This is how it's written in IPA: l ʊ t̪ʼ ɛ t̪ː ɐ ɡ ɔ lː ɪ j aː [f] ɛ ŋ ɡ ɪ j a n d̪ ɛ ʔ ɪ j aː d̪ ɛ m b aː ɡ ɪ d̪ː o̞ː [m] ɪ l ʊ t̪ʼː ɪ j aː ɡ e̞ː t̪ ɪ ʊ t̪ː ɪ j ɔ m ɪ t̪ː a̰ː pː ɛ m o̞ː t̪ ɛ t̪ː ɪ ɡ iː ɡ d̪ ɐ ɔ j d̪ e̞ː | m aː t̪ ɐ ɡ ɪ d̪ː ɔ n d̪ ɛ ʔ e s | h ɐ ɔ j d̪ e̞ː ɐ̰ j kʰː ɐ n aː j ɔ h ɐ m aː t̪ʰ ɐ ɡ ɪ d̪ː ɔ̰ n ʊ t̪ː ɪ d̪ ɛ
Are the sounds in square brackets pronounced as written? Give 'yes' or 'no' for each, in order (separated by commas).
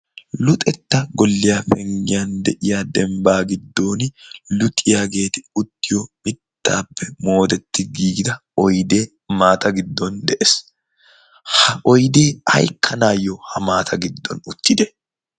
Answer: yes, no